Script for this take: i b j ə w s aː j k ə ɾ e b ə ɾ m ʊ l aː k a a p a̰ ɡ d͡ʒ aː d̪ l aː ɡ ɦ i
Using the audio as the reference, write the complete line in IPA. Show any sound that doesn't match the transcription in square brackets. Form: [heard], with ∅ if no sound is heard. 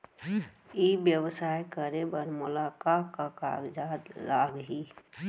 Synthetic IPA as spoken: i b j ə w s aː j k ə ɾ e b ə ɾ m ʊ l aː k a a [k] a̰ ɡ d͡ʒ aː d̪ l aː ɡ ɦ i